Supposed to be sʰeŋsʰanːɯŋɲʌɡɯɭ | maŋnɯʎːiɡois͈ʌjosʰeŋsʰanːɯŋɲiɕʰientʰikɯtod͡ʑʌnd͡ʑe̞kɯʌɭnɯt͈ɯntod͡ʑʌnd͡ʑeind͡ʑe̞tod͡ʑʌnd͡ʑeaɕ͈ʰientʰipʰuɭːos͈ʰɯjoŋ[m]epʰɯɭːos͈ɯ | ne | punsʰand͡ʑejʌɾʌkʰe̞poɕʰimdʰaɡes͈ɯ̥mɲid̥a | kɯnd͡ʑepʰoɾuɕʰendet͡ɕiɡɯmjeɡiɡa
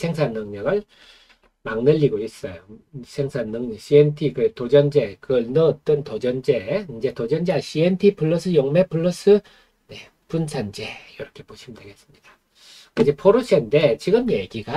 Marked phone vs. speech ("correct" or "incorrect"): correct